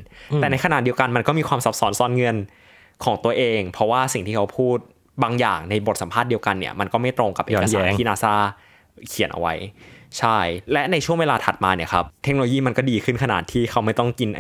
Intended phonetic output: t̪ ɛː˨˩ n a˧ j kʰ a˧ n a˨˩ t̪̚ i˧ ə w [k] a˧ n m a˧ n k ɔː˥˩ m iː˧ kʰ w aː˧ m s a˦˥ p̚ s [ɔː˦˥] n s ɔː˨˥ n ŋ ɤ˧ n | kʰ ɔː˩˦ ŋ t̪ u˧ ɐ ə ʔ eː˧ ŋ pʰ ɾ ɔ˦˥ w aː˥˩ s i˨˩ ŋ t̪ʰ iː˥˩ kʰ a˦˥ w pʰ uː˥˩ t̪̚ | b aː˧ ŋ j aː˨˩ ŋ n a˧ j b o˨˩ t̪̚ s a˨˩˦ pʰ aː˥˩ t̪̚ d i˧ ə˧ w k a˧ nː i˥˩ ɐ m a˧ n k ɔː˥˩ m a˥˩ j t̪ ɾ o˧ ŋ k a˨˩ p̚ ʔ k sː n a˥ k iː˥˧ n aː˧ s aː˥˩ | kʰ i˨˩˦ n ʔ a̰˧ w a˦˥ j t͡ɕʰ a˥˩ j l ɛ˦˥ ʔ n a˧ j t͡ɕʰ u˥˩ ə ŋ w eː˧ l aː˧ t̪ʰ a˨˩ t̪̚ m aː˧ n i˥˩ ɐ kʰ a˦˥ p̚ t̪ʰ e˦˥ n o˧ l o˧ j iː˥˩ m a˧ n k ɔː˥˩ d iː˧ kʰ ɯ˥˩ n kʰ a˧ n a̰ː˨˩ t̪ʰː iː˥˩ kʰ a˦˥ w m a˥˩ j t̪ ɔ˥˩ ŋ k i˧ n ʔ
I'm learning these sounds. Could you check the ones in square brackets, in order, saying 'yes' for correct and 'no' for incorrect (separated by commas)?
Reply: yes, yes